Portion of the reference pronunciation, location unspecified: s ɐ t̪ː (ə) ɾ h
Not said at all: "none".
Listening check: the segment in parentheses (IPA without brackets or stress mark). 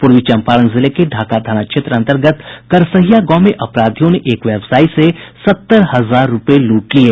ə